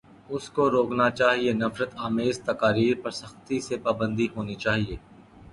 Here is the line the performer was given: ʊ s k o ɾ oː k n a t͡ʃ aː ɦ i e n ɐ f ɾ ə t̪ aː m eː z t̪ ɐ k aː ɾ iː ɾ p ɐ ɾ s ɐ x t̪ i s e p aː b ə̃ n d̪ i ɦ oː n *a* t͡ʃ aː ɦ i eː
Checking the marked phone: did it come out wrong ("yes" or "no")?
yes